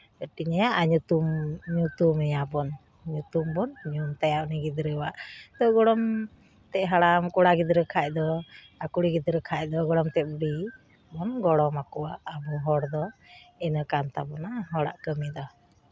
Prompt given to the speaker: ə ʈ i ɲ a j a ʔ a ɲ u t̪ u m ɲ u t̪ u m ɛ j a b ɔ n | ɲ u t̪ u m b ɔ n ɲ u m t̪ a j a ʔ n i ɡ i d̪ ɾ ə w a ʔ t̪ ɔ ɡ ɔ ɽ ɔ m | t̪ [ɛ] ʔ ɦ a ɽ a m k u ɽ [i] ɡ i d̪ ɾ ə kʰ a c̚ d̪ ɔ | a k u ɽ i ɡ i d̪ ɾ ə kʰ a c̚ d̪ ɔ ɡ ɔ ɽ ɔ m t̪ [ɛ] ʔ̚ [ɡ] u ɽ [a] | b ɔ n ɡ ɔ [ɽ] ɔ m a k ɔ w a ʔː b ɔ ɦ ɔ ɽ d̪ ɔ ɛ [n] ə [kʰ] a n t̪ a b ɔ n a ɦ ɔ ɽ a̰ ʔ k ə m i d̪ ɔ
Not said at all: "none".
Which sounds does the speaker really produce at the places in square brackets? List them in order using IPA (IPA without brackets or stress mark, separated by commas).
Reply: ɛ, a, ɛ, b, i, ɽ, n, k